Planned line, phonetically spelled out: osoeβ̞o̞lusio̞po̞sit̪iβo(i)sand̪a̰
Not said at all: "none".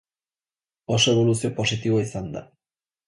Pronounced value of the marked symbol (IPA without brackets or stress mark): i